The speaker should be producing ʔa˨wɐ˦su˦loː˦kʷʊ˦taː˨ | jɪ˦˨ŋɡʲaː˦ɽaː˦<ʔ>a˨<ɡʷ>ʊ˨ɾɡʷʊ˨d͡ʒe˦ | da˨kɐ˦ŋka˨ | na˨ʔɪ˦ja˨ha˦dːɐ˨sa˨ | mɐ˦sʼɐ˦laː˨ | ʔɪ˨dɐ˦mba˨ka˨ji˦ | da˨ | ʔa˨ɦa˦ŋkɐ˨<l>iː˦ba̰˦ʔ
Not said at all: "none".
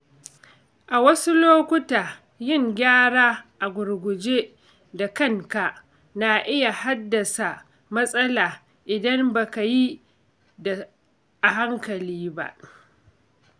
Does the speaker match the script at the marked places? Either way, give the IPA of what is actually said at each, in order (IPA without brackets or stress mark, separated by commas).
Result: ʔ, ɡʷ, l